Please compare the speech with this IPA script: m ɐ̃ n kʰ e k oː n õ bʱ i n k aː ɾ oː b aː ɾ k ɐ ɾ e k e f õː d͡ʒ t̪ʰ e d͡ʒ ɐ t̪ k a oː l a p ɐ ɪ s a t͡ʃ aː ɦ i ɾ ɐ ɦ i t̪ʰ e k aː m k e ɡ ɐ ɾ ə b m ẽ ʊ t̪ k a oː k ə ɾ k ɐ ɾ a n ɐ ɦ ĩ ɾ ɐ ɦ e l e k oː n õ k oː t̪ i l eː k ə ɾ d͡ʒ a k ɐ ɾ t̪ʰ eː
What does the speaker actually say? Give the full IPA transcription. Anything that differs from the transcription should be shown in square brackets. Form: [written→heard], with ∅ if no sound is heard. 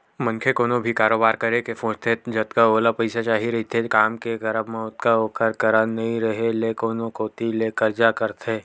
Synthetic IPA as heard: m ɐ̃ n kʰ e k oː n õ bʱ i [n→∅] k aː ɾ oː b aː ɾ k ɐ ɾ e k e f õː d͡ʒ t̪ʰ e d͡ʒ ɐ t̪ k a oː l a p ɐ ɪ s a t͡ʃ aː ɦ i ɾ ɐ ɦ i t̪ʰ e k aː m k e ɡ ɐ ɾ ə b m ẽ ʊ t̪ k a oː k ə ɾ k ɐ ɾ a n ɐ ɦ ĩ ɾ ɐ ɦ e l e k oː n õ k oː t̪ i l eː k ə ɾ d͡ʒ a k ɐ ɾ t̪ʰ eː